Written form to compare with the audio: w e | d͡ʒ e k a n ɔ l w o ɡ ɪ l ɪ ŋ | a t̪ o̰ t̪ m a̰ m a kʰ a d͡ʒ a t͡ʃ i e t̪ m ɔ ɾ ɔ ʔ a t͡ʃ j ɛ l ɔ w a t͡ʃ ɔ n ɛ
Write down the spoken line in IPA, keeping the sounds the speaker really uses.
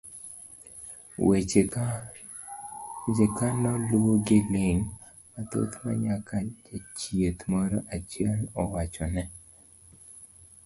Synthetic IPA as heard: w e | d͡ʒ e k a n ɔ l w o ɡ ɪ l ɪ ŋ | a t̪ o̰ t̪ m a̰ ɲ a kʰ a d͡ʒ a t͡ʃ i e t̪ m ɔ ɾ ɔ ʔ a t͡ʃ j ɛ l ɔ w a t͡ʃ ɔ n ɛ